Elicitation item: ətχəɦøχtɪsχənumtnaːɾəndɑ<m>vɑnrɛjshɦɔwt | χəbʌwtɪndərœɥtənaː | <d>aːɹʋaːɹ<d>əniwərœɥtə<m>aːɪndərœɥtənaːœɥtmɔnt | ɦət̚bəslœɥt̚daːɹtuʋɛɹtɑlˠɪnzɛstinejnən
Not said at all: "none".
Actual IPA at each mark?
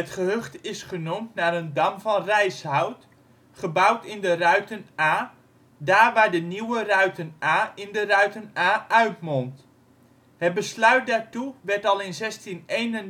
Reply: m, d, d, n

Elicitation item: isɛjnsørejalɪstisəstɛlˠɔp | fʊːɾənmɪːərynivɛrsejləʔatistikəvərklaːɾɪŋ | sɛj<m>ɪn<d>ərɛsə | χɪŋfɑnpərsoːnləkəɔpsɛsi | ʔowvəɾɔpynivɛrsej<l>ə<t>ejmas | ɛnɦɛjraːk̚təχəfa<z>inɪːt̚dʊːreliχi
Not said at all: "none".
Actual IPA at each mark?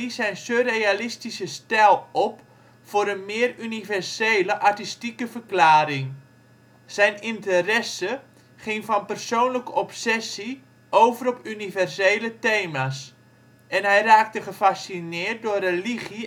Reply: n, t, l, t, s

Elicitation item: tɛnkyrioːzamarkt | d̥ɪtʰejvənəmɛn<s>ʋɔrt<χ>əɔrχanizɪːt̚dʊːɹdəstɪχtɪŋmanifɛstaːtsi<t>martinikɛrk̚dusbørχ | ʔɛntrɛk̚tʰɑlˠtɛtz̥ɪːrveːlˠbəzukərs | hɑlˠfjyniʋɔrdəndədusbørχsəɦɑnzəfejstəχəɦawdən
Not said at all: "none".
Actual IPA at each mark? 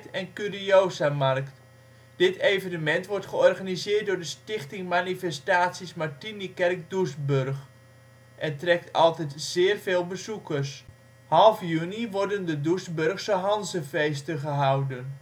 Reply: t, χ, s

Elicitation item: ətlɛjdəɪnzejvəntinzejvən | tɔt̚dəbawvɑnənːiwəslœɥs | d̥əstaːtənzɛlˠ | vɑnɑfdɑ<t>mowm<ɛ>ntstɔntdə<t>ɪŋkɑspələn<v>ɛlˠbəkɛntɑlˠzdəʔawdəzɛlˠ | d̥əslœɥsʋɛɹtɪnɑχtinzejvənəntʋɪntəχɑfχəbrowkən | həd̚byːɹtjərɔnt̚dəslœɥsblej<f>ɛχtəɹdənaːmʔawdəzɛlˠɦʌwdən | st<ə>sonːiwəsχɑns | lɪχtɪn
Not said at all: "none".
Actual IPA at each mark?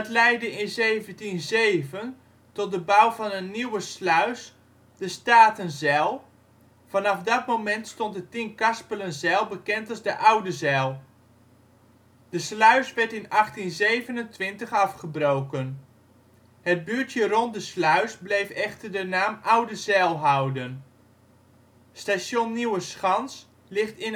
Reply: t, ɛ, t, z, f, a

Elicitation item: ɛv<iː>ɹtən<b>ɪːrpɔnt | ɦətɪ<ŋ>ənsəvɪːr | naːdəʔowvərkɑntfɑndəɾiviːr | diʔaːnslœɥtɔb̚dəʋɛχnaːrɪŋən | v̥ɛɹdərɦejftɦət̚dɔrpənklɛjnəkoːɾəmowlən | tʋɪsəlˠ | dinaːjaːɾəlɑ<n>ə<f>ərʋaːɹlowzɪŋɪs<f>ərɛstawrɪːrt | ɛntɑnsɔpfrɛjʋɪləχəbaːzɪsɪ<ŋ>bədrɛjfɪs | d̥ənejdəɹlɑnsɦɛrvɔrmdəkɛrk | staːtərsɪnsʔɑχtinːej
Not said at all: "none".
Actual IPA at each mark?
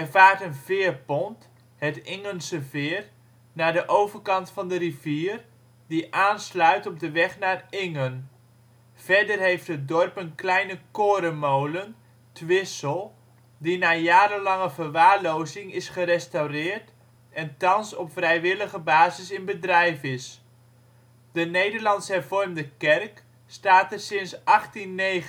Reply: aː, v, ŋ, ŋ, v, χ, n

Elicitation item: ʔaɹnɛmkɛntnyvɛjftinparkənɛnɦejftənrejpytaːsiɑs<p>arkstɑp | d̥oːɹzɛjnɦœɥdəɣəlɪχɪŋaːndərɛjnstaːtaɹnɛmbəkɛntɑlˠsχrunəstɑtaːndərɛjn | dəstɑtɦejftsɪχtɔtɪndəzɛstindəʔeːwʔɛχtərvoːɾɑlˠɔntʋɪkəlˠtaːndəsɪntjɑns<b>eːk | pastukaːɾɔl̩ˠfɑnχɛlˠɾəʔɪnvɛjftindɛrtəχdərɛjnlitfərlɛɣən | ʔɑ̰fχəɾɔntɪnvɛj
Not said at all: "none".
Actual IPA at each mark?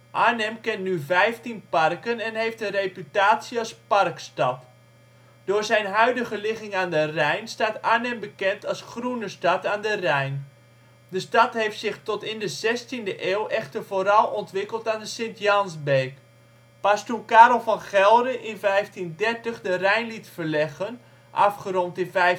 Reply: p, b

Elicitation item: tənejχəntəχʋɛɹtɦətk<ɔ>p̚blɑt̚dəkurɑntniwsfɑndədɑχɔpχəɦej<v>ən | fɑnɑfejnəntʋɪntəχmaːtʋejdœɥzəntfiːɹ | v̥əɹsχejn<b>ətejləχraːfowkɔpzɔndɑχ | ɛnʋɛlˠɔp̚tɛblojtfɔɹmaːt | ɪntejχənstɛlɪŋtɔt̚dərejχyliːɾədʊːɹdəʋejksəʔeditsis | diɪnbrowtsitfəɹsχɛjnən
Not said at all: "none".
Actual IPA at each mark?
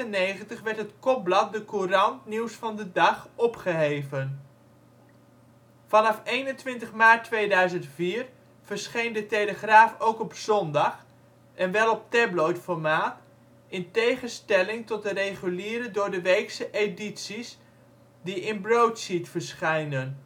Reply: ɔ, v, d

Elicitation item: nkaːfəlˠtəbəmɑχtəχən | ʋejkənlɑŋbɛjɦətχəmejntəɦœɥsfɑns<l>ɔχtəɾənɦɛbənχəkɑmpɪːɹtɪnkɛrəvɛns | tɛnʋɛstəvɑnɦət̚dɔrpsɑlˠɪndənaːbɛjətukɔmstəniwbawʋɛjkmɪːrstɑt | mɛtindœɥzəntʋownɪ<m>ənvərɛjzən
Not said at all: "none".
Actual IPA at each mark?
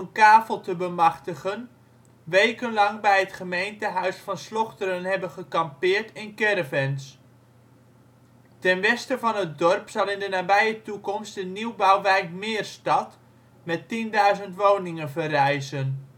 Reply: l, ŋ

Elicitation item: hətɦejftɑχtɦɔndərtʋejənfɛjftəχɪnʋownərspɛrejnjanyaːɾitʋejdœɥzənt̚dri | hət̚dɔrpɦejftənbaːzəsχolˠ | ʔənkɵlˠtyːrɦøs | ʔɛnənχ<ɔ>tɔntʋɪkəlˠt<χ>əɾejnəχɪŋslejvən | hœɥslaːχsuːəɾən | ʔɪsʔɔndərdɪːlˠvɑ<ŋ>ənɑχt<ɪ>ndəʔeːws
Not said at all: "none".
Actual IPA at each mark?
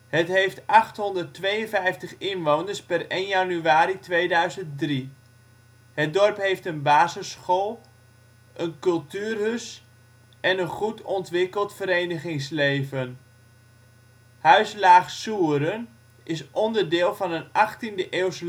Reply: u, f, n, i

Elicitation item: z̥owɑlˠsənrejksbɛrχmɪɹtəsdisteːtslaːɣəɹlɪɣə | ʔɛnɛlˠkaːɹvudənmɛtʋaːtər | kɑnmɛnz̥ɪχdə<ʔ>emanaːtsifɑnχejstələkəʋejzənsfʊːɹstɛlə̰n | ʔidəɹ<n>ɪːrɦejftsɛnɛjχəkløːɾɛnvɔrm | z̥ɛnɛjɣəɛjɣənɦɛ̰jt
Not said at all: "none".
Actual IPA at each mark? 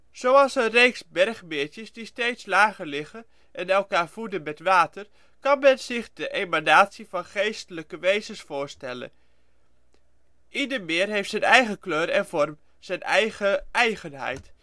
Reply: ʔ, m

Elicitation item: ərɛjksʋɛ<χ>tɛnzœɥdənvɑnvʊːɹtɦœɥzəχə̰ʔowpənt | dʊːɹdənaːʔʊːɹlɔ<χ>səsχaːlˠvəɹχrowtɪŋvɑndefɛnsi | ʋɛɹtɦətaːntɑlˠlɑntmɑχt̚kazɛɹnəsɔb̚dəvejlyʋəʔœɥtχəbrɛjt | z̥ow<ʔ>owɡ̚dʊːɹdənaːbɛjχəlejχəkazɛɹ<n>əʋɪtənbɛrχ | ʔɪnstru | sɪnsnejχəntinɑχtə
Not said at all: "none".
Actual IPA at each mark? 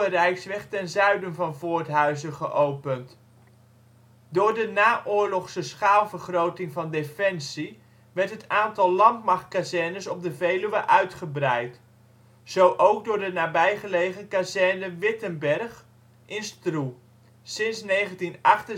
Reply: χ, χ, ʔ, n

